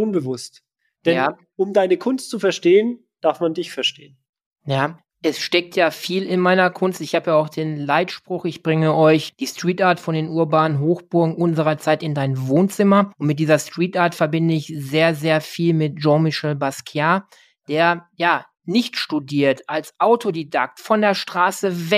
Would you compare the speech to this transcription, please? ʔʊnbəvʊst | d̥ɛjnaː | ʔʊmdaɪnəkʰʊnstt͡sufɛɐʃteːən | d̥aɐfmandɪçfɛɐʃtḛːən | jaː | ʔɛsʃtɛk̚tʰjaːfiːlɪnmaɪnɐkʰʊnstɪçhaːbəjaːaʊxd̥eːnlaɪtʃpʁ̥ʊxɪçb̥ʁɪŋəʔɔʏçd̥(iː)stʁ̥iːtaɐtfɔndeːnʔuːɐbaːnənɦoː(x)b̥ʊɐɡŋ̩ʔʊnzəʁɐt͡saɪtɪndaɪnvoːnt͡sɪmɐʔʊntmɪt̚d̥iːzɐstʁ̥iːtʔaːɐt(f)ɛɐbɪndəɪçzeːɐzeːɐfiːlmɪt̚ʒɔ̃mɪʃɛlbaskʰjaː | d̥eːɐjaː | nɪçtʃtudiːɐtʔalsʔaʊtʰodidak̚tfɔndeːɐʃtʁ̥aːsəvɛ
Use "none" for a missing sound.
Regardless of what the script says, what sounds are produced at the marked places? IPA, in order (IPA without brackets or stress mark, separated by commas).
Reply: iː, x, f